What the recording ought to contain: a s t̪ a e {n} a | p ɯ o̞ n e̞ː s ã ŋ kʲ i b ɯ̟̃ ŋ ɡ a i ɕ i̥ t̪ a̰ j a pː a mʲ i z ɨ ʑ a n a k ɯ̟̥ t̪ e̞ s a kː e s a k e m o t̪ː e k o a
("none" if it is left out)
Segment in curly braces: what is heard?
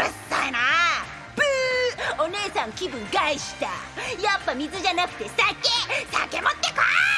n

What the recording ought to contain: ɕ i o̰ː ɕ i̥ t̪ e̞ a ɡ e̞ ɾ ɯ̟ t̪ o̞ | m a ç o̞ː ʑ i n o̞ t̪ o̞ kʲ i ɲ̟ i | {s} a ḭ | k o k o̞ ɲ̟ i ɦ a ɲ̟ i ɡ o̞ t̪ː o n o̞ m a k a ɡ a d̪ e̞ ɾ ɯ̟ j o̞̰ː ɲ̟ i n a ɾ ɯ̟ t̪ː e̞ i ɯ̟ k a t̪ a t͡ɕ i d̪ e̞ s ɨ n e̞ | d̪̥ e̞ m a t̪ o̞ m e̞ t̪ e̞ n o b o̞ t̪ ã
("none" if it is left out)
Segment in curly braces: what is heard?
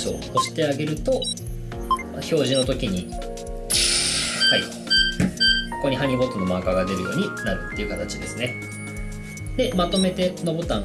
h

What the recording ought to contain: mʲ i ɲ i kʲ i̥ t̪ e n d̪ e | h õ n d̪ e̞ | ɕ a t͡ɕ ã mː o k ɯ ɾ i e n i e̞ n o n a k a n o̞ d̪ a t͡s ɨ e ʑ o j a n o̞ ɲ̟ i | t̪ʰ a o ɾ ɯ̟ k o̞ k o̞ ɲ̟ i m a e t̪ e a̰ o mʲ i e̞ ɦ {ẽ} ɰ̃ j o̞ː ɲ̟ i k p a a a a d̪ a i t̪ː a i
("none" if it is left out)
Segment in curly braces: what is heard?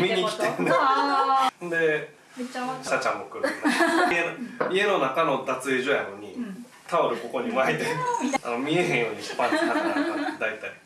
ẽ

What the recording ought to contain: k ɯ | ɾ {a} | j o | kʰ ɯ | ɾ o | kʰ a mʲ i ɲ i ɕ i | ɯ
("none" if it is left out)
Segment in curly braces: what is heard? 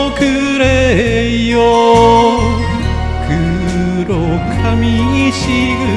e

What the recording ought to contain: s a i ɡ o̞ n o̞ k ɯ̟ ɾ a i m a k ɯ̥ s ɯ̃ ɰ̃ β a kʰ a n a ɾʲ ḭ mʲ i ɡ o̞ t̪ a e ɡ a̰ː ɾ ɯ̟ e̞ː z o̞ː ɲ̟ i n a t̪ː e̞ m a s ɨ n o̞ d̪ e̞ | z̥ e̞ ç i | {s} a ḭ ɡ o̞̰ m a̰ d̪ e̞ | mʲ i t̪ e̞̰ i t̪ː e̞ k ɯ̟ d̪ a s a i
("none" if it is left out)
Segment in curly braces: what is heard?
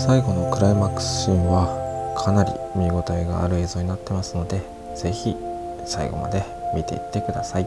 s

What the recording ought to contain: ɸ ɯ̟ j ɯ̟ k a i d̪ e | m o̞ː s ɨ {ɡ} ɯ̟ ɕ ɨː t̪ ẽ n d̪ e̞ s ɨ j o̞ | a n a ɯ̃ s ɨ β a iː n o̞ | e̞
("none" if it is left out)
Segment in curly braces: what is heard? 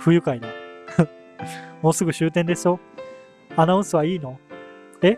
ɡ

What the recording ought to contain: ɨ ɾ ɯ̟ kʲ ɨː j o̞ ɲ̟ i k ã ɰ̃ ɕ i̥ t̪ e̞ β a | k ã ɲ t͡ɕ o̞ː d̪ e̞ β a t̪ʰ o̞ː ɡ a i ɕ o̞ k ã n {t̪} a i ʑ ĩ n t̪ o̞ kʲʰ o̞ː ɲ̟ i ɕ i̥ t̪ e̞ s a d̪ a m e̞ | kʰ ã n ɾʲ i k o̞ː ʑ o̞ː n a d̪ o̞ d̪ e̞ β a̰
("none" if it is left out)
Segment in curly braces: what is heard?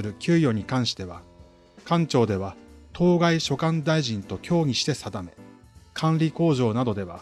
d̪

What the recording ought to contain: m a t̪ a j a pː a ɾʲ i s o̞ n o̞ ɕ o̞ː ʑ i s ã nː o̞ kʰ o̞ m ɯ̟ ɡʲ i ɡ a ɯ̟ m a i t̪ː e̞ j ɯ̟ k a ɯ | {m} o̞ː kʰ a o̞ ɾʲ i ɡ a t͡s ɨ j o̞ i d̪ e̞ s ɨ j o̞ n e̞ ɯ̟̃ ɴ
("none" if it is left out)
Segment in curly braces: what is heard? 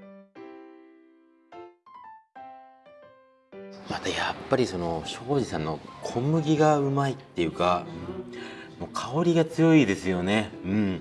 m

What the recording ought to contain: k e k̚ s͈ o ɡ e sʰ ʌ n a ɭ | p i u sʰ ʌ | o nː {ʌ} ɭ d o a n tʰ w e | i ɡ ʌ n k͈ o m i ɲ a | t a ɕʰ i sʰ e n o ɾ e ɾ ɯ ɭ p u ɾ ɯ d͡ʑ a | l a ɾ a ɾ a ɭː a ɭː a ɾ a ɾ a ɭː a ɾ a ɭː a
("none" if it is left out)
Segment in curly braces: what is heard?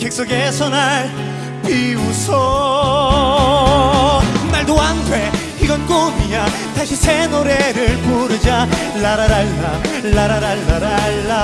a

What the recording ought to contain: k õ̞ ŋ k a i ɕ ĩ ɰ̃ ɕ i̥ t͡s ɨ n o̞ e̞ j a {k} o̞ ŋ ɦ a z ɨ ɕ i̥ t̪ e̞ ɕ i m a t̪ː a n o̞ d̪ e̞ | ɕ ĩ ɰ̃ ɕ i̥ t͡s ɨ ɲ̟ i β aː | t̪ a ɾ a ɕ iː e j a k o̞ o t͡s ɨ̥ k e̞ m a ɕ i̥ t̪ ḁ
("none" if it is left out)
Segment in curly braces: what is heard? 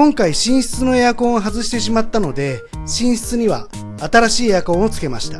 k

